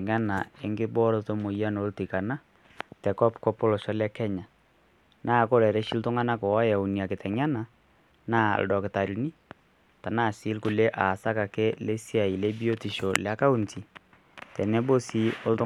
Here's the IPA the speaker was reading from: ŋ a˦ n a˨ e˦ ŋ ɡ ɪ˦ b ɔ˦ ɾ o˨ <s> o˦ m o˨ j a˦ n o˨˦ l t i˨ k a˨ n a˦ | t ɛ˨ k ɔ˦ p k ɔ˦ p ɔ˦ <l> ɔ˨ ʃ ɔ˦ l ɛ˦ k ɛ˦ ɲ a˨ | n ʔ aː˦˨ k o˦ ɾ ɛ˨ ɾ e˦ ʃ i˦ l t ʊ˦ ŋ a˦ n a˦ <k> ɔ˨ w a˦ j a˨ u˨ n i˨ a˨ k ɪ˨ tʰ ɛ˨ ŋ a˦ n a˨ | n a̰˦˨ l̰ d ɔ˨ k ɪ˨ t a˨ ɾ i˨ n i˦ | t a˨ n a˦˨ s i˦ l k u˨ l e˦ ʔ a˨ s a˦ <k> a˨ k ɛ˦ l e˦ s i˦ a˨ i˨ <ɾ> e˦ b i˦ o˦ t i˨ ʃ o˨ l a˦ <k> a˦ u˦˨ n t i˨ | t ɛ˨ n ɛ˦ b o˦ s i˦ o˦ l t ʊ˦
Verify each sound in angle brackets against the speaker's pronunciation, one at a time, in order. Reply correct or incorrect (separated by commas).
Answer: incorrect, correct, correct, correct, incorrect, correct